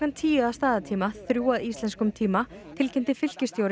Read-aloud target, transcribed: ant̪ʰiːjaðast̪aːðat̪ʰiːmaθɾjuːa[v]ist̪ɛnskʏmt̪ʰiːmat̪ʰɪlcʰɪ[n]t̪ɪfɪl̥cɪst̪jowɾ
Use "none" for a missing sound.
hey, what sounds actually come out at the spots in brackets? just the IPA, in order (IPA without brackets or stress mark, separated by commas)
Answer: ð, n